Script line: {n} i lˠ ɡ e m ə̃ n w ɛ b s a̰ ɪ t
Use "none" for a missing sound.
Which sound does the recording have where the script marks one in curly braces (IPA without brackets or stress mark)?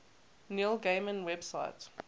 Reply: n